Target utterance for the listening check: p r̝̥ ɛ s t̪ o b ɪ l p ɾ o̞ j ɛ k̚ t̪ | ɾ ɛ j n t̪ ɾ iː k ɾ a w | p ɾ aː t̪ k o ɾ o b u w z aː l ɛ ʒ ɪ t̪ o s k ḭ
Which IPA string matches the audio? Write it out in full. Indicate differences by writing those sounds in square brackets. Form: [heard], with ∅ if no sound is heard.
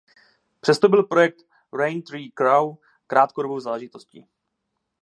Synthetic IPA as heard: p r̝̥ ɛ s t̪ o b ɪ l p ɾ o̞ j ɛ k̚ t̪ | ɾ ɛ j n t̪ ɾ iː k ɾ a w | [k] ɾ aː t̪ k o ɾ o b [o] w z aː l ɛ ʒ ɪ t̪ o s [c] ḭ